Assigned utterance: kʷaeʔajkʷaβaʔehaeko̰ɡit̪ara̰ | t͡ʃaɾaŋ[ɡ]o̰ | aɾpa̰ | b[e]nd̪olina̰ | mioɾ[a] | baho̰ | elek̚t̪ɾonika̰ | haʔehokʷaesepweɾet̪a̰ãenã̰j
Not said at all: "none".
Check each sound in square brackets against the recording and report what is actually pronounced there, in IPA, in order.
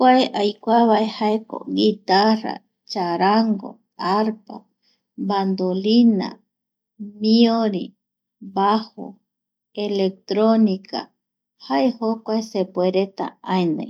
ɡ, a, i

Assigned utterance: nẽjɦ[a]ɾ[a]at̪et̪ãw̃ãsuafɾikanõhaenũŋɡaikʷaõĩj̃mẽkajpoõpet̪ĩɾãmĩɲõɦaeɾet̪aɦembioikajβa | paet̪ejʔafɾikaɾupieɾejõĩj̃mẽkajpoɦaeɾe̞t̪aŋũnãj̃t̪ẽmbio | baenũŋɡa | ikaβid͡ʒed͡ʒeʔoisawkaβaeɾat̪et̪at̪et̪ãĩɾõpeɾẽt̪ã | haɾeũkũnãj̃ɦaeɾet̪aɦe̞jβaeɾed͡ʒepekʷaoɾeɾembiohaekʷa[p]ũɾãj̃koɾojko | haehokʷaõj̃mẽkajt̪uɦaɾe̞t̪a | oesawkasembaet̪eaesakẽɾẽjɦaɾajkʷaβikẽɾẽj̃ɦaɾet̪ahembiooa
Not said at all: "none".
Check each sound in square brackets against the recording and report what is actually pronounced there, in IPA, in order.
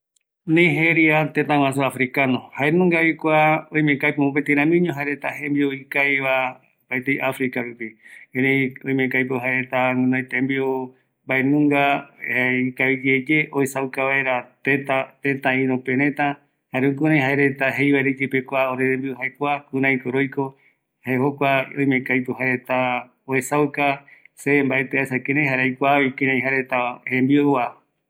e, i, k

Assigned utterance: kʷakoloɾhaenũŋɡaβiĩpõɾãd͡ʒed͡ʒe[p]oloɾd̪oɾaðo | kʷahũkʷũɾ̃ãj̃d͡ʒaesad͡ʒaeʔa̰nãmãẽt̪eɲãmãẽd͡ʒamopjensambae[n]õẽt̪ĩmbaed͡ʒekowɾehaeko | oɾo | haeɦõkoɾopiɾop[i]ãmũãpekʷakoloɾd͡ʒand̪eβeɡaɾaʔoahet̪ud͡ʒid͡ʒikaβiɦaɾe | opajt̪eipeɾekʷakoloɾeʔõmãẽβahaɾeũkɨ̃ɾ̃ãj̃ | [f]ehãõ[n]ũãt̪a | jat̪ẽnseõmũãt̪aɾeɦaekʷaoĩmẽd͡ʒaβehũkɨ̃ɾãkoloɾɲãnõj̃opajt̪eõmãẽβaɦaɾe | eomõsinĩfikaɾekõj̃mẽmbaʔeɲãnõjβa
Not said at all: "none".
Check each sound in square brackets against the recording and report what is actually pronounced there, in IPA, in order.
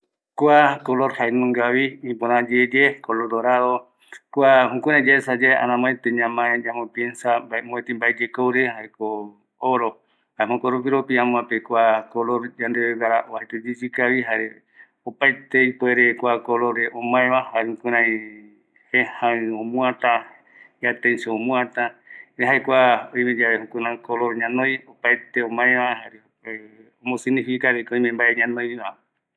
k, m, i, h, m

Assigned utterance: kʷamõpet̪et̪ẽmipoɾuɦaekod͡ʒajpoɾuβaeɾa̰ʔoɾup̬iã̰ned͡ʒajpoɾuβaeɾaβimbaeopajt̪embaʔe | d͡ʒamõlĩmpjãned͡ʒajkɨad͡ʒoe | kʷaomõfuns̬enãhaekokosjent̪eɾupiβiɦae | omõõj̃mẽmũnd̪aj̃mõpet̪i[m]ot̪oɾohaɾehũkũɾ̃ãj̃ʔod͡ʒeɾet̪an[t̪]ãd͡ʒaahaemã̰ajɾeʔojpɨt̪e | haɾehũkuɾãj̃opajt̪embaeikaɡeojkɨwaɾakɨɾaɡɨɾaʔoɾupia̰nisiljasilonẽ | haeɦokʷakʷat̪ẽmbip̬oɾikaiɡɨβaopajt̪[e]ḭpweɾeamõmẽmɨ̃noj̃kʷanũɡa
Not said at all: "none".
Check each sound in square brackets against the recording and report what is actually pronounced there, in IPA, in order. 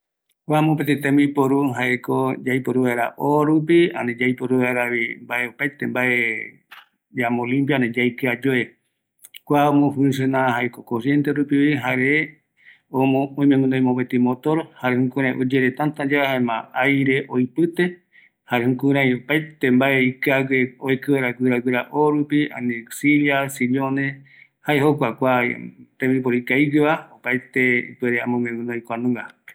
m, t̪, e

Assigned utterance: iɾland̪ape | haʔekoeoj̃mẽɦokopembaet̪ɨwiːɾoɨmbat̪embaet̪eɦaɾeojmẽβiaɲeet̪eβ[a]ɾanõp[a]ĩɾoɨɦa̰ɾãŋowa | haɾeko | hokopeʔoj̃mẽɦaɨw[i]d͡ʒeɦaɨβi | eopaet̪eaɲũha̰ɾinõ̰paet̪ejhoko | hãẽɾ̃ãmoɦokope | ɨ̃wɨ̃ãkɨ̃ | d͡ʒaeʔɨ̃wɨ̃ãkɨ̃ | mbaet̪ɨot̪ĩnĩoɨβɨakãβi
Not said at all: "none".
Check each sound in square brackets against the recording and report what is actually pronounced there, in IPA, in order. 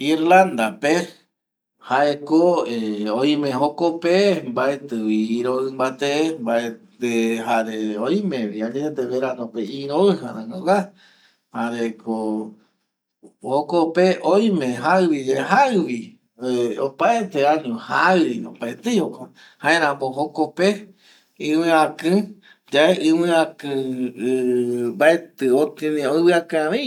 e, e, i

